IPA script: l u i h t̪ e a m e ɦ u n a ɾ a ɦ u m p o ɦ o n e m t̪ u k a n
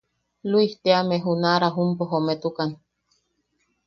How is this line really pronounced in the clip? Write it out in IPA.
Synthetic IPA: l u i h t̪ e a m e ɦ u n a ɾ a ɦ u m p o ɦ o m e t̪ u k a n